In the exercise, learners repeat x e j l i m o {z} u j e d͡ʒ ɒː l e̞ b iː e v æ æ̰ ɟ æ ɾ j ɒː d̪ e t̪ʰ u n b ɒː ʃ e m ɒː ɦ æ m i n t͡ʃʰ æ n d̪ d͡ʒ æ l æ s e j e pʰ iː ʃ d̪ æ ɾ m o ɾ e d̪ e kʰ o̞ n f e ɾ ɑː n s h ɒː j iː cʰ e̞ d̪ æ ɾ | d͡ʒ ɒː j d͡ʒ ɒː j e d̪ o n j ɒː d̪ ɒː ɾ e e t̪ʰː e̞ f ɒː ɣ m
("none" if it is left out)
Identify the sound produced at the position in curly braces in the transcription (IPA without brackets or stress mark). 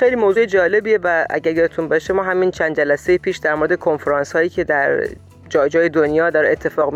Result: z